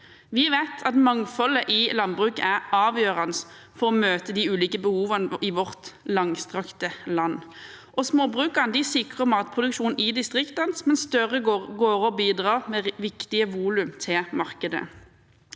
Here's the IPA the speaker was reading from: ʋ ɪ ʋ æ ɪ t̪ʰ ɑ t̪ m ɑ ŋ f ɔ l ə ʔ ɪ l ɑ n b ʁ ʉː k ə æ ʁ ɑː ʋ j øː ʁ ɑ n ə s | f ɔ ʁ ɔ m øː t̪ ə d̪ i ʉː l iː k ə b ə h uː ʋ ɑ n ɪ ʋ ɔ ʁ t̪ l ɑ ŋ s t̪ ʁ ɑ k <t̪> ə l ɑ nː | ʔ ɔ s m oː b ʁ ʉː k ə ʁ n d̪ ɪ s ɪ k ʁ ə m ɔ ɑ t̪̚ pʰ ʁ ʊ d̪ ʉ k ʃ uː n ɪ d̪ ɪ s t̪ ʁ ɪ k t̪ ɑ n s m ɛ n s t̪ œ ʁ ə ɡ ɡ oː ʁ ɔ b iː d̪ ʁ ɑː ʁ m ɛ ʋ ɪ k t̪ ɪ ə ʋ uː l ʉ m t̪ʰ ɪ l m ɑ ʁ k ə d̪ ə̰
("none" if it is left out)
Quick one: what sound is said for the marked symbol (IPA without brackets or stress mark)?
t̪